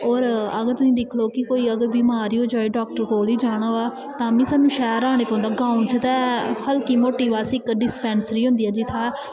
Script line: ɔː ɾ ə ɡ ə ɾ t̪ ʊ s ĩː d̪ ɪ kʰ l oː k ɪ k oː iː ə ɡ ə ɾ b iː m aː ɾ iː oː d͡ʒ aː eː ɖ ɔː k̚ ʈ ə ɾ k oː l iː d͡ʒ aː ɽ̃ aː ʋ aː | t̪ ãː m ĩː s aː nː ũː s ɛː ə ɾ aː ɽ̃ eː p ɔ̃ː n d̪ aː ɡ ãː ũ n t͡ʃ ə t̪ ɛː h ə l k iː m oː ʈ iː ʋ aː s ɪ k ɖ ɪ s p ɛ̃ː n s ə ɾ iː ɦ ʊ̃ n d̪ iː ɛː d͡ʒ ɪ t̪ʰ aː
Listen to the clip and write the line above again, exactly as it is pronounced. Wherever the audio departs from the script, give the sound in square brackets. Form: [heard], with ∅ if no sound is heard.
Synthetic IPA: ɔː ɾ ə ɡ ə ɾ t̪ ʊ s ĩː d̪ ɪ kʰ l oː k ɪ k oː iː ə ɡ ə ɾ b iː m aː ɾ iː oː d͡ʒ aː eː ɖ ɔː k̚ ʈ ə ɾ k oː l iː d͡ʒ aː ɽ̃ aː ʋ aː | t̪ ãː m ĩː s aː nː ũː [ʃ] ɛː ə ɾ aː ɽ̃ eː p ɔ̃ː n d̪ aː ɡ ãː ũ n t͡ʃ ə t̪ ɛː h ə l k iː m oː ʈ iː ʋ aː s ɪ k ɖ ɪ s p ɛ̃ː n s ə ɾ iː ɦ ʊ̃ n d̪ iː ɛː d͡ʒ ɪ t̪ʰ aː